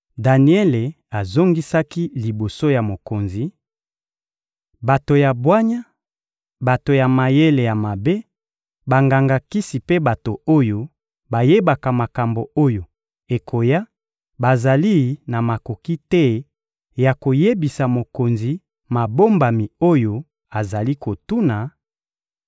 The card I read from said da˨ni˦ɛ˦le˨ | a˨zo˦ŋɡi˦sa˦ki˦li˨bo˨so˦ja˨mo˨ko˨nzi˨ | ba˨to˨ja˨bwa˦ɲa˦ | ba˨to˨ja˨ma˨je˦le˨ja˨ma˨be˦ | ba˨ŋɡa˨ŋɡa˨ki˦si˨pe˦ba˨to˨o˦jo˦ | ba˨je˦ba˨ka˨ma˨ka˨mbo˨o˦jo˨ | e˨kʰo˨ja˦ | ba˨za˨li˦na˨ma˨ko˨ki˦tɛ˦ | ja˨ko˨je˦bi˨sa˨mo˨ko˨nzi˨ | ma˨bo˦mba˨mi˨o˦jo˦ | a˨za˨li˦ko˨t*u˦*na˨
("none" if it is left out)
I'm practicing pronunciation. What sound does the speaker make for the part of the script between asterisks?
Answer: u˦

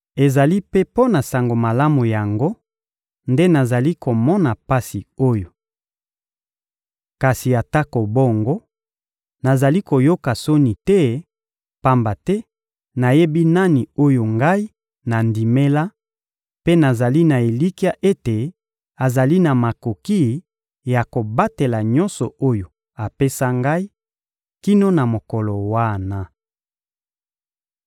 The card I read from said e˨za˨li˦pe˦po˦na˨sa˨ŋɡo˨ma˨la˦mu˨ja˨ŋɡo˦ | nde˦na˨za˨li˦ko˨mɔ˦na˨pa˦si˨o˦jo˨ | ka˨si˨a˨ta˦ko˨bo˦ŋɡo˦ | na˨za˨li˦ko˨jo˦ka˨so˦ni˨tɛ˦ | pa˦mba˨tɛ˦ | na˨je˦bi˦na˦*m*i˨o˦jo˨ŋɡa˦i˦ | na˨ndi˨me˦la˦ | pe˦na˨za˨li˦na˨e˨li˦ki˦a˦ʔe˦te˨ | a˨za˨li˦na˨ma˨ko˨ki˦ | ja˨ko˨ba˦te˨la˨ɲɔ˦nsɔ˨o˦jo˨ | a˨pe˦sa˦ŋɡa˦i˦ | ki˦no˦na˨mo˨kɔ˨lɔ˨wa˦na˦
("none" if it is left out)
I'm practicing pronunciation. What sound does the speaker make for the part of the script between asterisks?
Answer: n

